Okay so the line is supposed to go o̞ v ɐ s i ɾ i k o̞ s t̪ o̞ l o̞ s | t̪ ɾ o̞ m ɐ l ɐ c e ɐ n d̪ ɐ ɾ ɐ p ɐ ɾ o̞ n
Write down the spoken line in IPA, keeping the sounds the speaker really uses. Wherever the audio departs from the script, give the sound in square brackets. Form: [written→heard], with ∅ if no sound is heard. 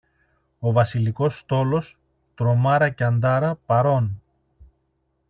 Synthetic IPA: o̞ v ɐ s i [ɾ→l] i k o̞ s t̪ o̞ l o̞ s | t̪ ɾ o̞ m ɐ [l→ɾ] ɐ c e ɐ n d̪ ɐ ɾ ɐ p ɐ ɾ o̞ n